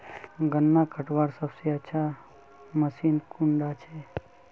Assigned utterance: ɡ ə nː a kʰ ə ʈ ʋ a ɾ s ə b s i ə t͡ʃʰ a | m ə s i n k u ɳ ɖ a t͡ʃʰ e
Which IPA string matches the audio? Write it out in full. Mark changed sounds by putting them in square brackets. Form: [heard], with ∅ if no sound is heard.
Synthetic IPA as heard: ɡ ə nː a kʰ ə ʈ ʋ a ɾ s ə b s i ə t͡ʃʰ a | m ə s i n k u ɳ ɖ a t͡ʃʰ e